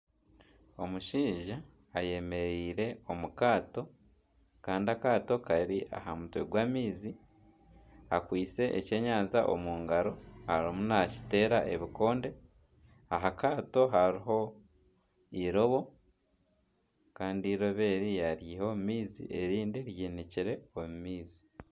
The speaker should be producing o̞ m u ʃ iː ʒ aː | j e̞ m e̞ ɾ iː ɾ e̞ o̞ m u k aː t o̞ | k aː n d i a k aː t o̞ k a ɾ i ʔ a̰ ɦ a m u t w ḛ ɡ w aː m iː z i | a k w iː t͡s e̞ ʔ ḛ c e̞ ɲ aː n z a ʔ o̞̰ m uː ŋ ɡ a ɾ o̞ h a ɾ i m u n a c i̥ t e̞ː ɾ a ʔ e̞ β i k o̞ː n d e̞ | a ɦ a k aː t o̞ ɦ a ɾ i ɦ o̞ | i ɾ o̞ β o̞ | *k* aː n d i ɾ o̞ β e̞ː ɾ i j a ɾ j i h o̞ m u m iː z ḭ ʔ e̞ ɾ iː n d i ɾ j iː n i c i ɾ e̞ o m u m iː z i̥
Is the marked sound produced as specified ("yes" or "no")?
yes